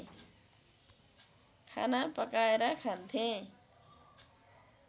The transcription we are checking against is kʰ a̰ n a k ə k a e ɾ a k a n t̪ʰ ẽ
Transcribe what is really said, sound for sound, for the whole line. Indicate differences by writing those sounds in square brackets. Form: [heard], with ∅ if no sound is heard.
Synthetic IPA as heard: kʰ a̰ n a [p] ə k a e ɾ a [kʰ] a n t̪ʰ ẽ

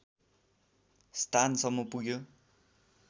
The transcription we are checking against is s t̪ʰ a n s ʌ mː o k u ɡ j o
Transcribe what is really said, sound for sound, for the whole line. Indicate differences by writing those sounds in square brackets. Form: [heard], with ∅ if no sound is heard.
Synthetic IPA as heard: s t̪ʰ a n s ʌ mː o [p] u ɡ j o

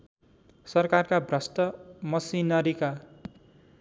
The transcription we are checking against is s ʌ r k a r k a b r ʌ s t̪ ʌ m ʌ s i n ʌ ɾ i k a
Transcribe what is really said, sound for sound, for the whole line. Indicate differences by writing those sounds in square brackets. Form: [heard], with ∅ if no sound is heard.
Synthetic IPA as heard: s ʌ r k a r k a b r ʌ s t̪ ʌ m ʌ s i n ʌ ɾ i k a

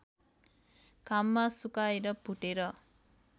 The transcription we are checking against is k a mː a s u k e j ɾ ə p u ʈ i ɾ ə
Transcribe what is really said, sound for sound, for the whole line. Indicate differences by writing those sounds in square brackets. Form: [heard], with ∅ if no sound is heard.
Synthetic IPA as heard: k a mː a s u k [a] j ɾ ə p u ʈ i ɾ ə

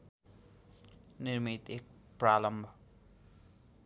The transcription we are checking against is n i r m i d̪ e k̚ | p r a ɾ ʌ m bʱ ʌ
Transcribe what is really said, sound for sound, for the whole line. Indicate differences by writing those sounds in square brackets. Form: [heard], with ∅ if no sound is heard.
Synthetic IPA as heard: n i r m i [t̪] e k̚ | p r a [l] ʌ m bʱ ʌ

